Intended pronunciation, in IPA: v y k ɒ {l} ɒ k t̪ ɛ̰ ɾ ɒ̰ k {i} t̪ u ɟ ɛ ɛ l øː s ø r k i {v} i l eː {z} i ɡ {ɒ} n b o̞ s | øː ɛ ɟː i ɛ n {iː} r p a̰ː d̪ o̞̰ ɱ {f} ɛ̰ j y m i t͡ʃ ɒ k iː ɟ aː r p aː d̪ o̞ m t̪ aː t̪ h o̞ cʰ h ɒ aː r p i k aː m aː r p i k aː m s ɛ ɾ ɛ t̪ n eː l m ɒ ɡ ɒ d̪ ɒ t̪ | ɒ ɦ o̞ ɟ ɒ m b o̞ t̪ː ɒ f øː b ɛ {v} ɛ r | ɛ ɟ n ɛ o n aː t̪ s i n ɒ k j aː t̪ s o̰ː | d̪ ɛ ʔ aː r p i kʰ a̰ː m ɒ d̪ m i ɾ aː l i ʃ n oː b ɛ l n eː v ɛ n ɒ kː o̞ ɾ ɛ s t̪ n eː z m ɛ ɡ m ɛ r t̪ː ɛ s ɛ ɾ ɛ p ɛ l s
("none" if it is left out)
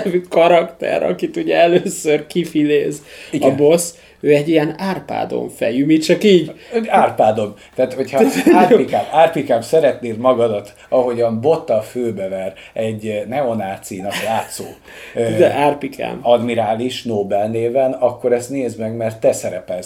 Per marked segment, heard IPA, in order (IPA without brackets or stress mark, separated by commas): ɾ, i, f, z, ɒ, aː, f, v